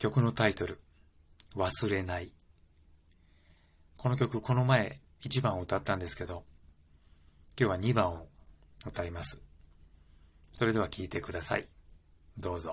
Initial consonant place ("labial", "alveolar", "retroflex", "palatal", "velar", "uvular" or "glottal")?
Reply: velar